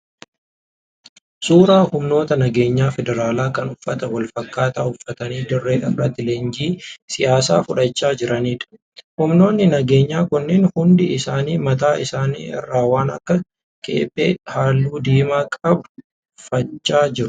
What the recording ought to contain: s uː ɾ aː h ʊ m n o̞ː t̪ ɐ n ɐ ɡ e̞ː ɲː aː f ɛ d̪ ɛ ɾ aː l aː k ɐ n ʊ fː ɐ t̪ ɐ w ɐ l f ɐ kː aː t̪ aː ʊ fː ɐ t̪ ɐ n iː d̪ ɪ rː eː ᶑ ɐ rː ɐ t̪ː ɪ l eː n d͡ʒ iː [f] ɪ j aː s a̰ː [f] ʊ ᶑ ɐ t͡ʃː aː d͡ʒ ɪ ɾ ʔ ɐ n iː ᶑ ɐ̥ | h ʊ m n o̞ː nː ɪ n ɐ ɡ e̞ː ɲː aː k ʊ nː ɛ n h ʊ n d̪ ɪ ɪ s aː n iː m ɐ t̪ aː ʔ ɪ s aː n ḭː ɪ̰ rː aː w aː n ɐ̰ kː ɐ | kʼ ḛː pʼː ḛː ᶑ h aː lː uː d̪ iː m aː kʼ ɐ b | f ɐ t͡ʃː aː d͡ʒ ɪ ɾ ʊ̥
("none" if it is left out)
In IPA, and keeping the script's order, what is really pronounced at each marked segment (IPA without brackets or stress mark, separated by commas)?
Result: s, f